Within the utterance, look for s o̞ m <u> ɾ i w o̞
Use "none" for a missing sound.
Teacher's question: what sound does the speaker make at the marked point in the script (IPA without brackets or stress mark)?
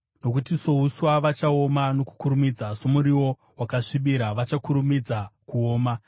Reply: u